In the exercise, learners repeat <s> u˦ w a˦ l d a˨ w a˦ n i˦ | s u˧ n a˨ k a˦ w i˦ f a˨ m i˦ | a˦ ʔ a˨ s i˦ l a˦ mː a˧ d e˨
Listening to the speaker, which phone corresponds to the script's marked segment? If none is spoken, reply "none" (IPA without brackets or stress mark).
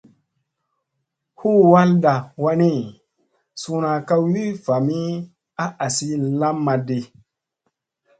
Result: h